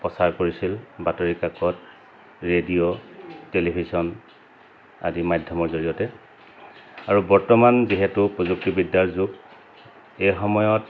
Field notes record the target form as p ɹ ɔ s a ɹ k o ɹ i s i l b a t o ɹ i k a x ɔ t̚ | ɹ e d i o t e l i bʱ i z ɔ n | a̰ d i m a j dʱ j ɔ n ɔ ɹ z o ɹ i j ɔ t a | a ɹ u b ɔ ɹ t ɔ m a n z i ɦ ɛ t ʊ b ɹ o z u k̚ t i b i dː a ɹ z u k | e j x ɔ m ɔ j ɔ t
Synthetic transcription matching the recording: p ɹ ɔ s a ɹ k o ɹ i s i l b a t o ɹ i k a k ɔ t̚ | ɹ e d i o t e l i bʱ i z ɔ n | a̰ d i m a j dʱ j ɔ m ɔ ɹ z o ɹ i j ɔ t ɛ | a ɹ u b ɔ ɹ t ɔ m a n z i ɦ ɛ t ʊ p ɹ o z u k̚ t i b i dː a ɹ z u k | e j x ɔ m ɔ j ɔ t